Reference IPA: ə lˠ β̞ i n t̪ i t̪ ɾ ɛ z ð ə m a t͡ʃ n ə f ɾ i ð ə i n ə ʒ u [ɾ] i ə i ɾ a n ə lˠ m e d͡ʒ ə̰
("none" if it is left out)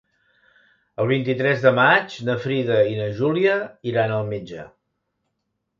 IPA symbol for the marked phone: l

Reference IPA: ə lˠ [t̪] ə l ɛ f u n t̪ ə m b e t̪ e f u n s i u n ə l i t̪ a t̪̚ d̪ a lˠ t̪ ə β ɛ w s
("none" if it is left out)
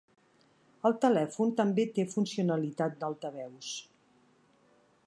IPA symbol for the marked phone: t̪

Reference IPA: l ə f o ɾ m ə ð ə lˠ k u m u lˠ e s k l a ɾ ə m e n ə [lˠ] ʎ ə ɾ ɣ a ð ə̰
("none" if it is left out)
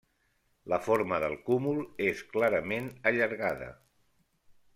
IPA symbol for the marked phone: none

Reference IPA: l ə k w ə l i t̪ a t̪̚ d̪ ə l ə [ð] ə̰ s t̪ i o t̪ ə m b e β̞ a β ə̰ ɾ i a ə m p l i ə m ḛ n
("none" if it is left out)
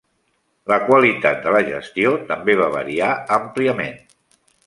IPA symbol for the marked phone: ʒ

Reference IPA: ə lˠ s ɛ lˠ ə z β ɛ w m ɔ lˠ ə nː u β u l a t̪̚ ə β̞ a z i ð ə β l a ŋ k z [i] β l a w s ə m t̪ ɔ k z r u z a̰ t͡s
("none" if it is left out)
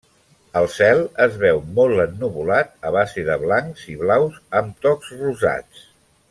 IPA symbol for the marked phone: i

